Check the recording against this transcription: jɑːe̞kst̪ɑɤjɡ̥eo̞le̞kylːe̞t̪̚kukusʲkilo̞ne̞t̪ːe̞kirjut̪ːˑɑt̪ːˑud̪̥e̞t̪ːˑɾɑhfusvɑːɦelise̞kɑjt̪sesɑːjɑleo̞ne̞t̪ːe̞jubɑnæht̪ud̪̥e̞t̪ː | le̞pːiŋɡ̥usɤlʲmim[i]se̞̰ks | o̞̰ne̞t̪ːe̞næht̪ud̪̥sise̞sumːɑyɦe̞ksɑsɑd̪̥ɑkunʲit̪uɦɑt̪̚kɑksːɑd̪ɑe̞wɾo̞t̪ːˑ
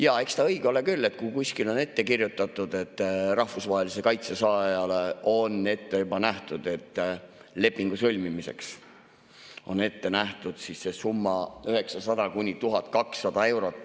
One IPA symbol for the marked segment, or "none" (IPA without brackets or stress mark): i